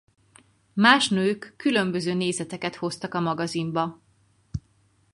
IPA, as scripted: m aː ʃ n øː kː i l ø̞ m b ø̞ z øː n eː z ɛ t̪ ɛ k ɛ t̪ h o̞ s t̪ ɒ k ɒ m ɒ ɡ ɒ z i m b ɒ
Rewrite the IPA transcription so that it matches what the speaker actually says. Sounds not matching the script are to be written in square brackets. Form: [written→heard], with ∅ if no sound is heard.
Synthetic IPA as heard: m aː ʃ n øː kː [i→y] l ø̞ m b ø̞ z øː n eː z ɛ t̪ ɛ k ɛ t̪ h o̞ s t̪ ɒ k ɒ m ɒ ɡ ɒ z i m b ɒ